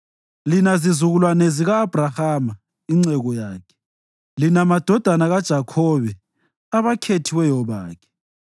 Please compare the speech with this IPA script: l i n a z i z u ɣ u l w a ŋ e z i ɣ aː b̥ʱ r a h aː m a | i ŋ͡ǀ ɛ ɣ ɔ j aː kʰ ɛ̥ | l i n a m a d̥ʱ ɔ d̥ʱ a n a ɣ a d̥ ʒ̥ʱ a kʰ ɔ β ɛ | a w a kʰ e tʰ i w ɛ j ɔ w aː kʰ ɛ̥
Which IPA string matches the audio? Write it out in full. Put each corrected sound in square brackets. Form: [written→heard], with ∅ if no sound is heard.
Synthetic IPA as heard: l i n a z i z u ɣ u l w a [ŋ→n] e z i ɣ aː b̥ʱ r a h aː m a | i ŋ͡ǀ ɛ ɣ ɔ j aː kʰ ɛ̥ | l i n a m a d̥ʱ ɔ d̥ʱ a n a ɣ a d̥ ʒ̥ʱ a kʰ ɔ β ɛ | a [w→β] a kʰ e tʰ i w ɛ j ɔ [w→β] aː kʰ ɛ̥